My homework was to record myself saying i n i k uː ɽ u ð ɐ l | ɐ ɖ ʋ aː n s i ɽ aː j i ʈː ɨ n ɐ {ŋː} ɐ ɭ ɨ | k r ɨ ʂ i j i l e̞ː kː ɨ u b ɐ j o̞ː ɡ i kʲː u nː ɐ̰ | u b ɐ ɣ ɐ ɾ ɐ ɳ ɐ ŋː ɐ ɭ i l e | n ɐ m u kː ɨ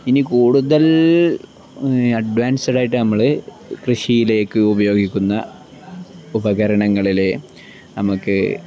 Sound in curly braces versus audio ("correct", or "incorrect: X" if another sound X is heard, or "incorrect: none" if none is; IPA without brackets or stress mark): incorrect: mː